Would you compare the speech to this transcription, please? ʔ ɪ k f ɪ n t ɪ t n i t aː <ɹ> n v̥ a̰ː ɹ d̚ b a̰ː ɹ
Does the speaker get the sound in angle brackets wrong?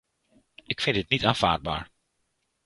yes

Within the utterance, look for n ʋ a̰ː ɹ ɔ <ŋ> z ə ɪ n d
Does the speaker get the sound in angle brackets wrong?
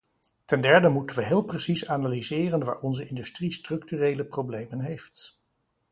yes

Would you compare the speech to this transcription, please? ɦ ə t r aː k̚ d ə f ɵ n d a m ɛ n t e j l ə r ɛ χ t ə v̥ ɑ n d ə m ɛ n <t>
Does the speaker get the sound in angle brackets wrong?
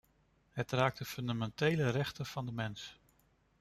yes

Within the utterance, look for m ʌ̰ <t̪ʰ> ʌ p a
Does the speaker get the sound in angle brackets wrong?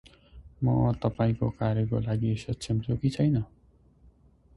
yes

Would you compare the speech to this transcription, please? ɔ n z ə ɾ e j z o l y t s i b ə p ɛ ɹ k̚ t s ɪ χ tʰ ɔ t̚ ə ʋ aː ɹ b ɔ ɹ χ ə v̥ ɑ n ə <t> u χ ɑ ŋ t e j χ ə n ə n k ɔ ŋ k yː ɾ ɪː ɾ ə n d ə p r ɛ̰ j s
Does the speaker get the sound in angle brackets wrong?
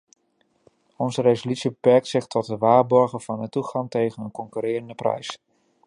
no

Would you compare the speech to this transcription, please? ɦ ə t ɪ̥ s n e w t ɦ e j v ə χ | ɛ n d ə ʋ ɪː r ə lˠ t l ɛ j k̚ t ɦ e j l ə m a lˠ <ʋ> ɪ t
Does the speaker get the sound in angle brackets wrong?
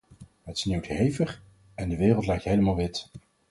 no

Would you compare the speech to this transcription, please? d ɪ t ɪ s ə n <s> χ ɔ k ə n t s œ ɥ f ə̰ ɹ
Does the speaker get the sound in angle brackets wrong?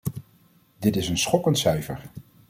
no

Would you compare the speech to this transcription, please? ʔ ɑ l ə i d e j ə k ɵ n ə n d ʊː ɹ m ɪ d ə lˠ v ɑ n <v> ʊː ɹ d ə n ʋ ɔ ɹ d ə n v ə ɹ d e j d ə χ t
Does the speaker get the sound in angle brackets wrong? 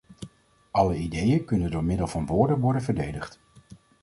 yes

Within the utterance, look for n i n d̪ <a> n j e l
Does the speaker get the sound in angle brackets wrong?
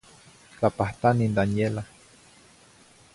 no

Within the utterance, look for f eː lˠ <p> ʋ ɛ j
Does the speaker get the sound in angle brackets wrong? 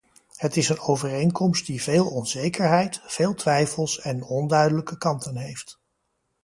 yes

